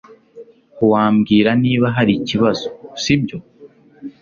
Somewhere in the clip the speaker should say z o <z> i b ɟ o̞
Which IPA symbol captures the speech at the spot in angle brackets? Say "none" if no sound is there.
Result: s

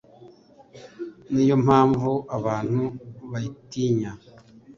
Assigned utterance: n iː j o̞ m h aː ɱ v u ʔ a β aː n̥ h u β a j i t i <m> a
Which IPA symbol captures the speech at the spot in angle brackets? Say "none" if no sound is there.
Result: ɲ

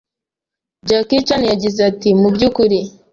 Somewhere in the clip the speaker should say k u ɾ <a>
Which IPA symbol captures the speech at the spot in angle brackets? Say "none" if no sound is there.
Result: i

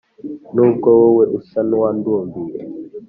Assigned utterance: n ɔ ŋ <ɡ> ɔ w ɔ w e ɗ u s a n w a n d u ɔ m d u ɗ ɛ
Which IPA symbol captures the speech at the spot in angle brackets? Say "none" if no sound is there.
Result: k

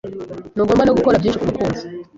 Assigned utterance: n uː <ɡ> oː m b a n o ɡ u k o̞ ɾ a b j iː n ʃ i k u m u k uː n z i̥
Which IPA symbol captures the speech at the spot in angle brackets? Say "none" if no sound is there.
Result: ɡ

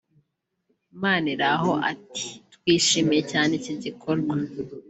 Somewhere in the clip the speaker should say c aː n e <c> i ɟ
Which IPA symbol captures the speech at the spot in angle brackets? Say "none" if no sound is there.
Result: c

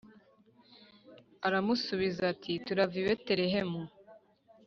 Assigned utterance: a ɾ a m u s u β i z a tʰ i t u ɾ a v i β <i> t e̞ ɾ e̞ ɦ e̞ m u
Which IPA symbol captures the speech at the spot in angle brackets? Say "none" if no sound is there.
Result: e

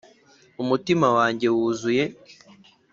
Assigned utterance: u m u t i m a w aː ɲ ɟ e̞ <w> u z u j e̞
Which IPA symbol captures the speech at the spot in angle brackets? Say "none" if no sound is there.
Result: w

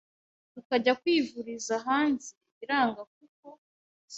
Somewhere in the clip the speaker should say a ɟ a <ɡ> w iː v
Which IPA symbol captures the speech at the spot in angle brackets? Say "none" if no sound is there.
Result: k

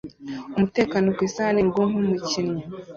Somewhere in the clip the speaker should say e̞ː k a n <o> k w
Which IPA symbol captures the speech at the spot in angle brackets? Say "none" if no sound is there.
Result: o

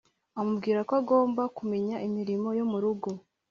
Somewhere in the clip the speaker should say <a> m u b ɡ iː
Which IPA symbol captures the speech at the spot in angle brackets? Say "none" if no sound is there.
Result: a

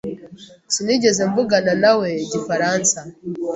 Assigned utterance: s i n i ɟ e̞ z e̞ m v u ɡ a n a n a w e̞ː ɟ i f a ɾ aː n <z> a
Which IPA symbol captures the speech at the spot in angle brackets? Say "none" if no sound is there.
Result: s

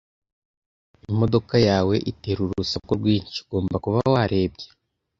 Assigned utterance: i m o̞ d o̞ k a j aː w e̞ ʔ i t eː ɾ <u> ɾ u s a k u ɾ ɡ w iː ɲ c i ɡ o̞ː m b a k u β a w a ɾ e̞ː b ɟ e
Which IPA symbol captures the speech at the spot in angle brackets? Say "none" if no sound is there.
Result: u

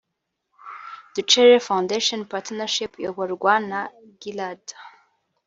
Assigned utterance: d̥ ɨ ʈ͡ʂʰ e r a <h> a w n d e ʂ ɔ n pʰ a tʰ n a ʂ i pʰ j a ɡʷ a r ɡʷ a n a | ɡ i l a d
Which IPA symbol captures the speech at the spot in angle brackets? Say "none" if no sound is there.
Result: f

